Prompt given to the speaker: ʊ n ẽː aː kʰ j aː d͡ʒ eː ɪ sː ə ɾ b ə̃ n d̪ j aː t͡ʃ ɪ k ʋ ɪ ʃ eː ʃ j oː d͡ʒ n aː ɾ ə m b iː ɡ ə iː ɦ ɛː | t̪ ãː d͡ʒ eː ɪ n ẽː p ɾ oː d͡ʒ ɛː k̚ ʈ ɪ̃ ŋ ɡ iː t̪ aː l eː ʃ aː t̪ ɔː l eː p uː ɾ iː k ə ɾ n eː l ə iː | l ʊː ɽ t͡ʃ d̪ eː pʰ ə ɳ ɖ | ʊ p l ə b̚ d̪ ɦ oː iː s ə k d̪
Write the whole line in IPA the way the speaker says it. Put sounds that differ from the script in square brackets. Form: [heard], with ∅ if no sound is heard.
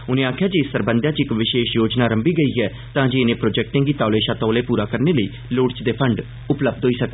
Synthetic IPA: ʊ n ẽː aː kʰ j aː d͡ʒ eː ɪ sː ə ɾ b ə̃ n d̪ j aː t͡ʃ ɪ k ʋ ɪ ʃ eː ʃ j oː d͡ʒ n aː ɾ ə m b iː ɡ ə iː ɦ ɛː | t̪ ãː d͡ʒ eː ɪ n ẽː p ɾ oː d͡ʒ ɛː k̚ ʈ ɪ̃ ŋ ɡ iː t̪ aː l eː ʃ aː t̪ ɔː l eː p uː ɾ [aː] k ə ɾ n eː l ə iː | l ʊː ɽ t͡ʃ d̪ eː pʰ ə ɳ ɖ | ʊ p l ə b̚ d̪ ɦ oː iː s ə k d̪